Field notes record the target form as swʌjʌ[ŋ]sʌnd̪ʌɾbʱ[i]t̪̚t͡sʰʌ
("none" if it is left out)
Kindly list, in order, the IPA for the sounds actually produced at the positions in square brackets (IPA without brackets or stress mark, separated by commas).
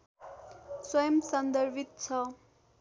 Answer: m, i